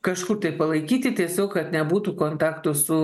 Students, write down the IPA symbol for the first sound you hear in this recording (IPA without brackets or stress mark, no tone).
k